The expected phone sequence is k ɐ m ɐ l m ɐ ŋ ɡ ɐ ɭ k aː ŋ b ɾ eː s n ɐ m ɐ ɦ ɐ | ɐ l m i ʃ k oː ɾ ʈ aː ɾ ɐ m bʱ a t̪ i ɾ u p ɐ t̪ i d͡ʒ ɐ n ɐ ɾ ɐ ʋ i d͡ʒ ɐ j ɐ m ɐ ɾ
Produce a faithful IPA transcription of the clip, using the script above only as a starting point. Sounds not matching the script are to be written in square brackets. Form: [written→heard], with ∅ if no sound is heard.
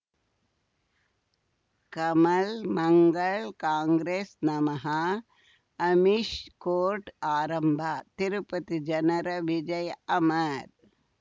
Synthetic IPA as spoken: k ɐ m ɐ l m ɐ ŋ ɡ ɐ ɭ k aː ŋ [b→ɡ] ɾ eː s n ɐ m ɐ ɦ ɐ | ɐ [l→∅] m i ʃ k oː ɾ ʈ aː ɾ ɐ m bʱ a t̪ i ɾ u p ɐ t̪ i d͡ʒ ɐ n ɐ ɾ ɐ ʋ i d͡ʒ ɐ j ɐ m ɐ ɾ